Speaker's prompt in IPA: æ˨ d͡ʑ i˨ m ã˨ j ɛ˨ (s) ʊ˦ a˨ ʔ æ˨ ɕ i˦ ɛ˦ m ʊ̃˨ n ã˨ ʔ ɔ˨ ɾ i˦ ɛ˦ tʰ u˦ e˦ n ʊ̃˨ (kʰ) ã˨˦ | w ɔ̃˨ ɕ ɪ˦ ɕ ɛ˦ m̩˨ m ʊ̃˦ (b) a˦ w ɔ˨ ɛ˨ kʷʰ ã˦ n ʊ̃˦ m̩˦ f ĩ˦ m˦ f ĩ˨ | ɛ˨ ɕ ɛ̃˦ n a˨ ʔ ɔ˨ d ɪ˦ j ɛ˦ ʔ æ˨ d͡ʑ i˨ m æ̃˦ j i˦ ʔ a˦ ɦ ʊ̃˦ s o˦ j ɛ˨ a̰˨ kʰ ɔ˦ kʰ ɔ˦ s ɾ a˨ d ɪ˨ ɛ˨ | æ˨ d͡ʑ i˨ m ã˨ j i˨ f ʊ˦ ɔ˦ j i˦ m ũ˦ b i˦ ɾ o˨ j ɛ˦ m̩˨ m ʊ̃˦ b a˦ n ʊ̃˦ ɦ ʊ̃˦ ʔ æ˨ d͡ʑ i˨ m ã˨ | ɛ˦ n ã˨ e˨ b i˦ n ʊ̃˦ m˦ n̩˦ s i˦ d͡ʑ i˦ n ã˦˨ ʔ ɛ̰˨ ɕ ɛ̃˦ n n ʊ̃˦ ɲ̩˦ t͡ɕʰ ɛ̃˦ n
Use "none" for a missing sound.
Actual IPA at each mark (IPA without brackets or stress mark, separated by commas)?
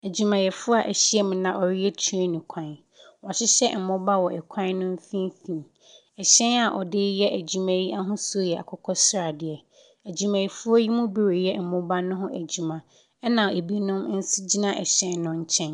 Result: f, kʰ, b